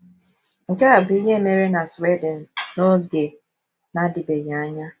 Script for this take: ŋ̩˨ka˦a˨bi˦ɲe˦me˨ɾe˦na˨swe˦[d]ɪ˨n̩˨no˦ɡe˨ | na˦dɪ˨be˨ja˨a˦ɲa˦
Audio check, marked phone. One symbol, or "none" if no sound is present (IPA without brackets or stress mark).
d